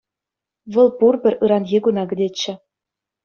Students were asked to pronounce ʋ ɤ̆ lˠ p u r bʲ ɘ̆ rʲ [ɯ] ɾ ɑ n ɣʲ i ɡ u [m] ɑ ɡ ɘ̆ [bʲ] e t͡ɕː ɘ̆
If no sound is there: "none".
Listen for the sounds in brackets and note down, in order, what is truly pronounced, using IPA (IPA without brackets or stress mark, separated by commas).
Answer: ɯ, n, dʲ